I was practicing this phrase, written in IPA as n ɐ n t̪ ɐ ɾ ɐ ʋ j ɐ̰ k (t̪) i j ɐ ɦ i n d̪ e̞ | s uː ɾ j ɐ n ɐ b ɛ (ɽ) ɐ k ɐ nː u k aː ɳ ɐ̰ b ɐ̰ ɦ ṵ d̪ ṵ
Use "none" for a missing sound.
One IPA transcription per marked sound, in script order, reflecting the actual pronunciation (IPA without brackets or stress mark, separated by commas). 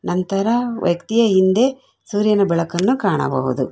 t̪, ɭ